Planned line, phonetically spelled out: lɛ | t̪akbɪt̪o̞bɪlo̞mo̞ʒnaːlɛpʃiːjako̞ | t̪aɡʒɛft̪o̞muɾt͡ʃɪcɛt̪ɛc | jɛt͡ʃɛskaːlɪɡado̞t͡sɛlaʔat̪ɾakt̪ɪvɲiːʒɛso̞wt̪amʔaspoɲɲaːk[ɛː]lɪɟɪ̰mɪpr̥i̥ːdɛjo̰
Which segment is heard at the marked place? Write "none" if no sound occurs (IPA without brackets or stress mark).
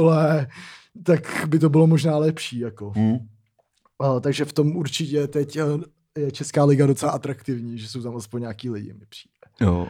iː